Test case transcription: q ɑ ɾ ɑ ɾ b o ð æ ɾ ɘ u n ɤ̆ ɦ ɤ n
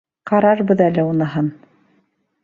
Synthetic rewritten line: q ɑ ɾ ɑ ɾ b ɤ ð æ l ɘ u n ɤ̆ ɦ ɤ n

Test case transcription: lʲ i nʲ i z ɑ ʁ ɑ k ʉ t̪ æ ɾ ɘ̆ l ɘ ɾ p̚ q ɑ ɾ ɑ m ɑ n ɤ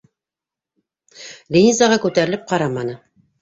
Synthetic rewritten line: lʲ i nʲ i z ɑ ʁ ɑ k ʉ t̪ æ ɾ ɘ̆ l ɘ p̚ q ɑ ɾ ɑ m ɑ n ɤ

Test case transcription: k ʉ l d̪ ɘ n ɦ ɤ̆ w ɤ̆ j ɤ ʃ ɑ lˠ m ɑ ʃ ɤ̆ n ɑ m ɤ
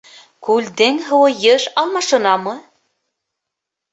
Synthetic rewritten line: k ʉ l d̪ ɘ ŋ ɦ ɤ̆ w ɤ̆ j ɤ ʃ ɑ lˠ m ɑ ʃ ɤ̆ n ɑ m ɤ

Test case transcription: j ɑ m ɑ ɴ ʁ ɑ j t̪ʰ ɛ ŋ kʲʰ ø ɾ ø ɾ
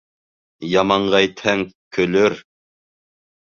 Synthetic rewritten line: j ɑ m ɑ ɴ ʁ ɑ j t̪ʰ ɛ ŋ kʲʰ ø l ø ɾ

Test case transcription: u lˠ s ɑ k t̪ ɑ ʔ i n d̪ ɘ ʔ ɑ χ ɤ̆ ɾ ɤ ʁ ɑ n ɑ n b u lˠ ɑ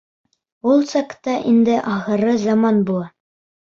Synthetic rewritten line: u lˠ s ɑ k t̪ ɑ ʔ i n d̪ ɘ ʔ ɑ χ ɤ̆ ɾ ɤ z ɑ m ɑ n b u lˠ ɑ

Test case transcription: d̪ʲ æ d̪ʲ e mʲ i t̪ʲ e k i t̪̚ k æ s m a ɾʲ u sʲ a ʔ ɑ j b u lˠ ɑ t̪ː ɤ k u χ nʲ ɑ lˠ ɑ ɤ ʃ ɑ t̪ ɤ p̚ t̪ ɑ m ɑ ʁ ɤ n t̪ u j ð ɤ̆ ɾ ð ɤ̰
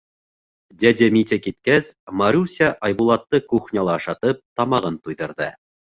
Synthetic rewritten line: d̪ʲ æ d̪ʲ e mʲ i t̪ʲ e k i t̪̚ k æ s m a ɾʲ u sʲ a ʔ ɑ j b u lˠ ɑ t̪ː ɤ k u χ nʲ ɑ lˠ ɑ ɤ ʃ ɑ t̪ ɤ p̚ t̪ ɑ m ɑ ʁ ɤ n t̪ u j ð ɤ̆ ɾ ð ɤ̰

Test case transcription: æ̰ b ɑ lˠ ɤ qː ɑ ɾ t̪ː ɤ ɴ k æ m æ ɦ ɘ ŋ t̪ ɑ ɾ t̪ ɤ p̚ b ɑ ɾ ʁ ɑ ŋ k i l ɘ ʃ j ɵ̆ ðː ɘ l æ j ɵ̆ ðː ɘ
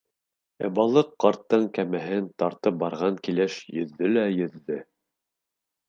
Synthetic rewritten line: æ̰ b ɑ lˠ ɤ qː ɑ ɾ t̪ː ɤ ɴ k æ m æ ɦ ɘ n t̪ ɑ ɾ t̪ ɤ p̚ b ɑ ɾ ʁ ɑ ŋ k i l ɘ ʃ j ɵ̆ ðː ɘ l æ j ɵ̆ ðː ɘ

